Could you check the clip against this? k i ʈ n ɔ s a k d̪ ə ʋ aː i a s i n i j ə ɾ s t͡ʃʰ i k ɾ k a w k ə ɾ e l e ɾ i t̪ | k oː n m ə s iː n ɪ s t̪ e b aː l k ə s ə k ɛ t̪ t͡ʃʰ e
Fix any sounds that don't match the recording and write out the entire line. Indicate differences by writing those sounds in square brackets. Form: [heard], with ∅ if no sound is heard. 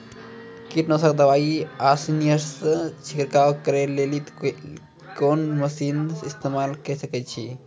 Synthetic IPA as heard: k i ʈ n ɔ s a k d̪ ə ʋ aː i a s i n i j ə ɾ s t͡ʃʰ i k ɾ k a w k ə ɾ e l e [l] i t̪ | k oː n m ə s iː n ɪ s t̪ e [m] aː l k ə s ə k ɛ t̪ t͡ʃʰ [i]